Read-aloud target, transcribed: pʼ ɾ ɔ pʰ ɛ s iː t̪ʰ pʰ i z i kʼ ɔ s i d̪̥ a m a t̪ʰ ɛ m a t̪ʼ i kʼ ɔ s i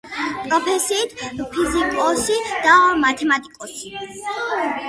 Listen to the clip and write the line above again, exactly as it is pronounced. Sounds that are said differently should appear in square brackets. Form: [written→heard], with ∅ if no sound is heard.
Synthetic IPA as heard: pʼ ɾ ɔ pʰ ɛ s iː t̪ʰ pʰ i z i kʼ ɔ s i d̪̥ a m a t̪ʰ ɛ m a t̪ʼ i kʼ ɔ s i